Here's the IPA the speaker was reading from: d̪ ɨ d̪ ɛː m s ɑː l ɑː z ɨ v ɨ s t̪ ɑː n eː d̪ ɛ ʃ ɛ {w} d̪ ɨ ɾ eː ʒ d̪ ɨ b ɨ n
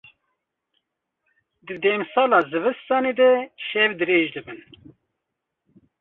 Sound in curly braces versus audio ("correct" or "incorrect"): incorrect